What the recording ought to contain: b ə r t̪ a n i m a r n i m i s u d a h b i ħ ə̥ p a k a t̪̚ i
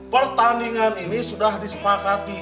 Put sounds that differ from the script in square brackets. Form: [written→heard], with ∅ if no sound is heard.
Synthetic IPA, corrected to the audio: [b→p] ə r t̪ a n i [m→ŋ] a [r→∅] n i [m→n] i s u d a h [b→d] i [ħ→s] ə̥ p a k a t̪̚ i